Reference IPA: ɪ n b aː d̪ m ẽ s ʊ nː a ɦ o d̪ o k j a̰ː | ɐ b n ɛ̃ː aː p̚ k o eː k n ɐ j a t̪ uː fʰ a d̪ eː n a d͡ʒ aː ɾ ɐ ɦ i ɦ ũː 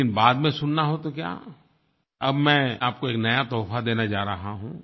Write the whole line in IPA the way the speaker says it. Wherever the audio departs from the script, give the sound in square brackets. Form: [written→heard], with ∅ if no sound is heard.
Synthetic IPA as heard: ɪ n b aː d̪ m ẽ s ʊ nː a ɦ o [d̪→t̪] o k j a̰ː | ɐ b [n→m] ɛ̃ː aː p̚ k o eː k n ɐ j a t̪ [uː→ɔː] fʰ a d̪ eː n a d͡ʒ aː ɾ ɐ ɦ [i→a] ɦ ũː